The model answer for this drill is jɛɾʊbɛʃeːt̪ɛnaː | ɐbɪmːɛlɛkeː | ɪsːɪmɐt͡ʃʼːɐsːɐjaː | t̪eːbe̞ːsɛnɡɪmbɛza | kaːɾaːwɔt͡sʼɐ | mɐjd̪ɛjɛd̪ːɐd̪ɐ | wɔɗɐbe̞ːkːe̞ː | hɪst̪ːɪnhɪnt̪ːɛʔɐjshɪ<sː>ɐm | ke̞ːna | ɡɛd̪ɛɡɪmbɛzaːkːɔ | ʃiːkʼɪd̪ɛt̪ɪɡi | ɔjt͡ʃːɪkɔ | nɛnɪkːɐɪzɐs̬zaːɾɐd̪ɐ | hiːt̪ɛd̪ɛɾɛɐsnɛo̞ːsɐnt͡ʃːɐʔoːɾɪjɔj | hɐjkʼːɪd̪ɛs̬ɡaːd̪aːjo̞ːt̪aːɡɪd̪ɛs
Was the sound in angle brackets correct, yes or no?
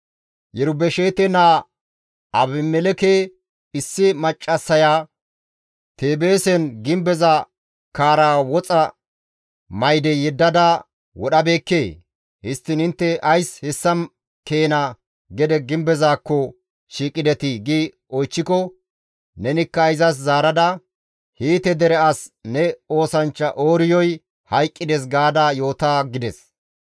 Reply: yes